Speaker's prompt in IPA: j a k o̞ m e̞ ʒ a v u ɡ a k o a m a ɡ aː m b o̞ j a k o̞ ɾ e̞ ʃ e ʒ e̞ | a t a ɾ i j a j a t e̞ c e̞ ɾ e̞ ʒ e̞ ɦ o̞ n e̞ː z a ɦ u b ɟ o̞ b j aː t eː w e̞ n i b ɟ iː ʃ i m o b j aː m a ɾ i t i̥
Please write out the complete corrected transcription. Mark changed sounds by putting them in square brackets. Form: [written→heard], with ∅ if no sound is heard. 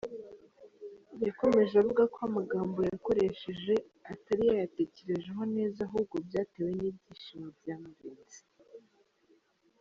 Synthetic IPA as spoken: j a k o̞ m e̞ ʒ a v u ɡ a k o a m a ɡ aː m b o̞ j a k o̞ ɾ e̞ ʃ e ʒ e̞ | a t a ɾ i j a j a t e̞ c e̞ ɾ e̞ ʒ e̞ ɦ o̞ n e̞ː z a ɦ u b [ɟ→ɡ] o̞ b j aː t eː w e̞ n i b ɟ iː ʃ i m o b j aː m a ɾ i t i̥